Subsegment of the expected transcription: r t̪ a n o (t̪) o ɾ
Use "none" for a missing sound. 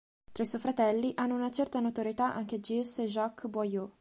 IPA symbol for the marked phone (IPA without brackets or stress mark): t̪